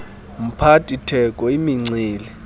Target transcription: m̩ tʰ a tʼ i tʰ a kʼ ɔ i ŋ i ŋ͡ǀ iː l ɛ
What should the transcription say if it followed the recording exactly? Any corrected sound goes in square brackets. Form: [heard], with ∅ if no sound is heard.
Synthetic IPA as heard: m̩ [pʰ] a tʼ i tʰ [ɛ] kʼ ɔ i [m] i ŋ͡ǀ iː l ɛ